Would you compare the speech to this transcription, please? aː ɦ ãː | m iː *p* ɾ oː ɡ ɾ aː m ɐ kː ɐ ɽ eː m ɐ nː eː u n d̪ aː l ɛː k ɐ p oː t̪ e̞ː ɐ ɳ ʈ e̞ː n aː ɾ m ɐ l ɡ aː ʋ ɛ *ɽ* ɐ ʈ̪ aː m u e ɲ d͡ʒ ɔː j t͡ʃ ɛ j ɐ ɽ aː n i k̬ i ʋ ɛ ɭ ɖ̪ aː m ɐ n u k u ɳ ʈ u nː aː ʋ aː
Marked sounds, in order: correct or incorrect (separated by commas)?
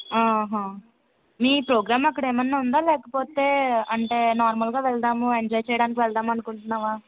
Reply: correct, incorrect